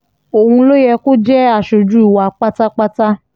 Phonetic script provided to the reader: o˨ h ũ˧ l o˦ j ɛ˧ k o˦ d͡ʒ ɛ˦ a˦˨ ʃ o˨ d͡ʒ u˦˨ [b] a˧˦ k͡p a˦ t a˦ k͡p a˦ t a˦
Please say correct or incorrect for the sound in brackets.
incorrect